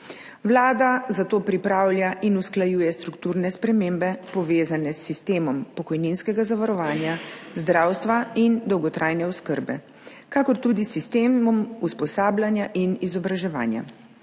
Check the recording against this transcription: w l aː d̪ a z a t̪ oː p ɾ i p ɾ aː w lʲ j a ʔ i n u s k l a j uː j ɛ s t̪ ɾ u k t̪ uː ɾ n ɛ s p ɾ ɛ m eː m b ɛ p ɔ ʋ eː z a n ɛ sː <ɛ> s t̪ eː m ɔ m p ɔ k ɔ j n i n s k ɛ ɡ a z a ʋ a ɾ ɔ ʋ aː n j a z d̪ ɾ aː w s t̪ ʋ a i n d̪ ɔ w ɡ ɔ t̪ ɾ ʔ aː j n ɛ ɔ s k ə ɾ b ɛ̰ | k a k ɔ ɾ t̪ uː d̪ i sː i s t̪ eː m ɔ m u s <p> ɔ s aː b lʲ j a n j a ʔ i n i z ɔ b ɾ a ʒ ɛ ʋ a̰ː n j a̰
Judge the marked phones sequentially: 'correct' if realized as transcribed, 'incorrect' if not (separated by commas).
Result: incorrect, correct